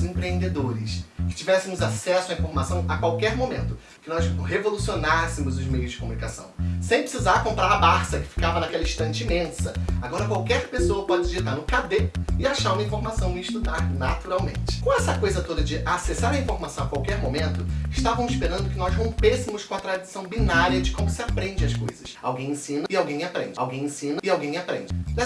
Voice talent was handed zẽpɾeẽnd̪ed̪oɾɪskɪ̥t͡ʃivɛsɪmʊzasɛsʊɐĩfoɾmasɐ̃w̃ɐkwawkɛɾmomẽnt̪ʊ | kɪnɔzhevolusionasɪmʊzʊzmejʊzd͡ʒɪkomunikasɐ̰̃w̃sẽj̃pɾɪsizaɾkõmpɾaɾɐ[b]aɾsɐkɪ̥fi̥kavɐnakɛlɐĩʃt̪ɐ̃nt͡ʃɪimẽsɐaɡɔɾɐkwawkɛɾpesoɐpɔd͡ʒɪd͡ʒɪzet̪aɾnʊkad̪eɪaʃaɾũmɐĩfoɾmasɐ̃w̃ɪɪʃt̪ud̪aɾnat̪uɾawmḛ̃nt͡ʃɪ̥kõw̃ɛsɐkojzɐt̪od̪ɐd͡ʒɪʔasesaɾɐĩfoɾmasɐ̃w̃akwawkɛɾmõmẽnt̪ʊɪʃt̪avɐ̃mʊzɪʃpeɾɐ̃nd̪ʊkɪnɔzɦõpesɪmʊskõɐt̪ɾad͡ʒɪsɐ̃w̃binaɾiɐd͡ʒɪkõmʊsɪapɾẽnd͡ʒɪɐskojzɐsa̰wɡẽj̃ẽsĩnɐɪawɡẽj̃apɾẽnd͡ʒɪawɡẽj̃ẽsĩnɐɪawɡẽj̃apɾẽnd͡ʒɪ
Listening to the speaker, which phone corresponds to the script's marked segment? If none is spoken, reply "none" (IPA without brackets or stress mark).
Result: b